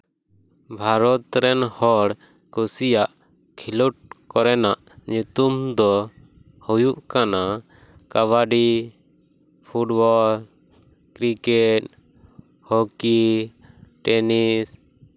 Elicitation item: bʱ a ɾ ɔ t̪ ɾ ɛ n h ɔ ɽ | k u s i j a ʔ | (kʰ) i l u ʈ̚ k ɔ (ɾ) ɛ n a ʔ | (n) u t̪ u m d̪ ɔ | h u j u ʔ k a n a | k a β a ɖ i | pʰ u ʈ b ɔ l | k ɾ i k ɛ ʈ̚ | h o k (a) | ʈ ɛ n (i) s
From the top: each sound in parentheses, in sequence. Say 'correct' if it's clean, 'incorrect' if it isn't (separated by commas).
correct, correct, incorrect, incorrect, correct